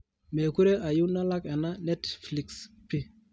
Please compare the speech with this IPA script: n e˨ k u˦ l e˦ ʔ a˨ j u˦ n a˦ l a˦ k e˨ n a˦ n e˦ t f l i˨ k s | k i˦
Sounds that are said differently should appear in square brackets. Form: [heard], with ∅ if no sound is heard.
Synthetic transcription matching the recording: [m] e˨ k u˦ [ɾ] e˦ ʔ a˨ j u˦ n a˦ l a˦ k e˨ n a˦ n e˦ t f l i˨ k s | [p] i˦